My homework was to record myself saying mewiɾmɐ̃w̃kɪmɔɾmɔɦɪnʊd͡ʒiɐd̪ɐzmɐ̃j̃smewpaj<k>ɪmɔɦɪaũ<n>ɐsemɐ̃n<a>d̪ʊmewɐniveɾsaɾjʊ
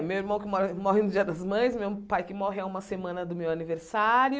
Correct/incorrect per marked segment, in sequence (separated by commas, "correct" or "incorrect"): correct, incorrect, incorrect